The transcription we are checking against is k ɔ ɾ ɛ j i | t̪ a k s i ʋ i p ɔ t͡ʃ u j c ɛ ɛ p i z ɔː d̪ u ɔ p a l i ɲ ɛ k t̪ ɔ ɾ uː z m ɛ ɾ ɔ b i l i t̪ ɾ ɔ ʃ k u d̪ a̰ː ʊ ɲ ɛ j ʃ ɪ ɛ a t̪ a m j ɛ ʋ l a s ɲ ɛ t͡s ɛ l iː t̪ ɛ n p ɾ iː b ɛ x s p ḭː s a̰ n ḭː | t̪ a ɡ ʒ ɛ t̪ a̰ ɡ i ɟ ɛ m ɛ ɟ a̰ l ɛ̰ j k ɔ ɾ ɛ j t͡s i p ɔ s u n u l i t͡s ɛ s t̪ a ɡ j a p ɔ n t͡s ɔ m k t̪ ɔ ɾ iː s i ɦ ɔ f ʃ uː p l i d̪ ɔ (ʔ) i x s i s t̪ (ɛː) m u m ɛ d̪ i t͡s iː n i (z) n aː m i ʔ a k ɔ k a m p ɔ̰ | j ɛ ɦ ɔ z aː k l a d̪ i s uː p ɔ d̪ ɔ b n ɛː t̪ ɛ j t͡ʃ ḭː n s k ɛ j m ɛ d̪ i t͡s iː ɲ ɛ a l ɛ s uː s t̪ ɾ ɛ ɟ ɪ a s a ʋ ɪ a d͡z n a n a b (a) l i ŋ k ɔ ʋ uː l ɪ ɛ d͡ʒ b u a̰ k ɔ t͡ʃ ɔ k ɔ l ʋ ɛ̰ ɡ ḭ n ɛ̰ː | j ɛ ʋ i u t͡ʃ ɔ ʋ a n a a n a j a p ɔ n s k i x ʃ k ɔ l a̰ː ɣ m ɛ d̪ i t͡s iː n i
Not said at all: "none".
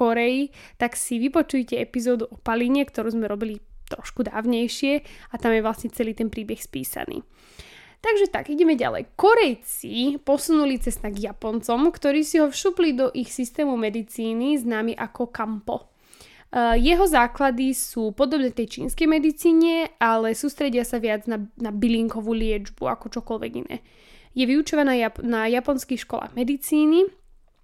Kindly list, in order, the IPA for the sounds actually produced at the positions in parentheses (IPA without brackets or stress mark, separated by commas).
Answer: ʔ, ɛː, z, i